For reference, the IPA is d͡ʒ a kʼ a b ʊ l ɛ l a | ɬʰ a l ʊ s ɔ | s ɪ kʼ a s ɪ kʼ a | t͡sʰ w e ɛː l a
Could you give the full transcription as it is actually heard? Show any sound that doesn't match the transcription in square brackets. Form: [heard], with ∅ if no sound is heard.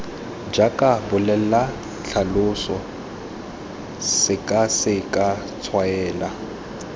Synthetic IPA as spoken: d͡ʒ a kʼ a b ʊ l ɛ l a | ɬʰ a l ʊ s ɔ | s ɪ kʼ a s ɪ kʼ a | t͡sʰ w [a] ɛː l a